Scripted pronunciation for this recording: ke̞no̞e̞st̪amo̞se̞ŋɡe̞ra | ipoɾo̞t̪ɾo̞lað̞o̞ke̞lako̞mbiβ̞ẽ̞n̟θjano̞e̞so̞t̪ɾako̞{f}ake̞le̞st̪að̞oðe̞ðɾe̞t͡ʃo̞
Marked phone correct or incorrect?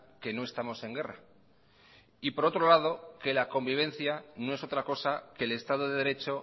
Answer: incorrect